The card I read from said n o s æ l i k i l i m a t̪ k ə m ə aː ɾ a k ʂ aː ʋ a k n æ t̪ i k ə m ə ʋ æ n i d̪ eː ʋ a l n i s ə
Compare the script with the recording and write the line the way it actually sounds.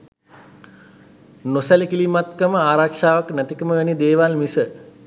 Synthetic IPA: n o s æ l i k i l i m a t̪ k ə m ə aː ɾ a k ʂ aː ʋ a k n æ t̪ i k ə m ə ʋ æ n i d̪ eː ʋ a l m i s ə